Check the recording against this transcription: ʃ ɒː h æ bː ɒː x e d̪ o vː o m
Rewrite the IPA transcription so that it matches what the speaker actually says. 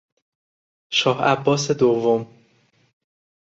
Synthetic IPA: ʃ ɒː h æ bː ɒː s e d̪ o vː o m